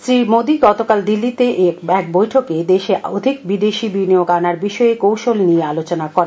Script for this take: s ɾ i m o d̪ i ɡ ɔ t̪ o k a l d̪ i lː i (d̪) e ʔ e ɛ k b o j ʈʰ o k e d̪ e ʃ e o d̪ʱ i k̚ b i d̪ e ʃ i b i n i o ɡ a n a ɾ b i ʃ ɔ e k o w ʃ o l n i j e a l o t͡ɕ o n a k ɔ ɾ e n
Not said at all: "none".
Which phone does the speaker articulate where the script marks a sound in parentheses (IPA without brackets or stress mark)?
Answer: t̪